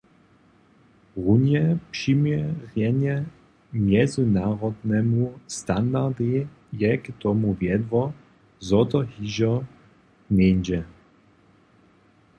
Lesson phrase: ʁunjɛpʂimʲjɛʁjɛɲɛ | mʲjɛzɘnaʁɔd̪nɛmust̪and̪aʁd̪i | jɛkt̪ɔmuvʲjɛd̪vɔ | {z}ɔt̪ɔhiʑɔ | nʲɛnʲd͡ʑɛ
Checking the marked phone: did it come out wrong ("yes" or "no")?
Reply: no